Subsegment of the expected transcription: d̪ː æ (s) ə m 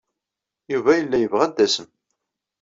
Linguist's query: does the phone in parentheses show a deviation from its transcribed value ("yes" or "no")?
no